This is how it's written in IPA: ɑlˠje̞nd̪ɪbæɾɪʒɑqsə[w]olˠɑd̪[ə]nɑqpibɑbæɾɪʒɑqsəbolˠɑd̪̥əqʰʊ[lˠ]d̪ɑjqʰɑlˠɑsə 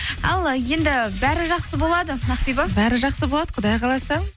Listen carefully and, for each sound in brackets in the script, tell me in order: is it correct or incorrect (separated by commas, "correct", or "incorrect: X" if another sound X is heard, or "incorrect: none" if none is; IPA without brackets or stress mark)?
incorrect: b, correct, incorrect: none